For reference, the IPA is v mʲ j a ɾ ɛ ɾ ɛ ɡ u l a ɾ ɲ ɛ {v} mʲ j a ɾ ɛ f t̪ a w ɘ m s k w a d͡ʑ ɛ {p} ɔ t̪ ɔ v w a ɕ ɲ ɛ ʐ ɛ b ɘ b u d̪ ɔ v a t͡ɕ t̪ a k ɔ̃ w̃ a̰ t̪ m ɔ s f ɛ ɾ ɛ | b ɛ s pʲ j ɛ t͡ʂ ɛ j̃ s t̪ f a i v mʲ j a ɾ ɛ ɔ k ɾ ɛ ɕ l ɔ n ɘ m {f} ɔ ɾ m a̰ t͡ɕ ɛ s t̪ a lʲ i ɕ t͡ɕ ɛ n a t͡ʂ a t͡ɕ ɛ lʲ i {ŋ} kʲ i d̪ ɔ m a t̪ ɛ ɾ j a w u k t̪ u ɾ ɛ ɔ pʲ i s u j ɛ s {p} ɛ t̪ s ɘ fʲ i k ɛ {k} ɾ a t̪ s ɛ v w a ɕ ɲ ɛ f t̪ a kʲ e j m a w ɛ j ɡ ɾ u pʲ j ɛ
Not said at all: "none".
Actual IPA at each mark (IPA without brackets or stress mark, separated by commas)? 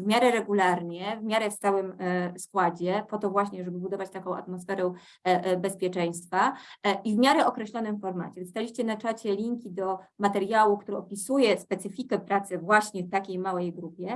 v, p, f, ŋ, p, p